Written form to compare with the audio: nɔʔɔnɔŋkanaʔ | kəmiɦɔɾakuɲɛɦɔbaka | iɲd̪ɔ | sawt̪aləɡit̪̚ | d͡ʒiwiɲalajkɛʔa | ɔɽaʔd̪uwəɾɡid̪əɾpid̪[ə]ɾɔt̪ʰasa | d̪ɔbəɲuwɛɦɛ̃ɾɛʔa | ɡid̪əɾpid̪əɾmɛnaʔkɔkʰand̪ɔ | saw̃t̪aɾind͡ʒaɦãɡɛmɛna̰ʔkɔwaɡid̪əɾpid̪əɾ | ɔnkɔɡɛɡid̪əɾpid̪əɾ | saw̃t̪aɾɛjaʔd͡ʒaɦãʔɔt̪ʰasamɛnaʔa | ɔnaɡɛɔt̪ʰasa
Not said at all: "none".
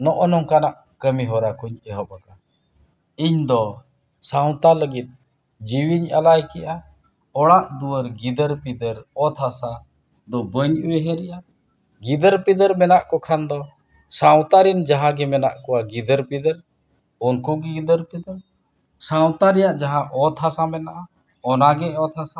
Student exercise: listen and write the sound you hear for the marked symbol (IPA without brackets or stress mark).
ə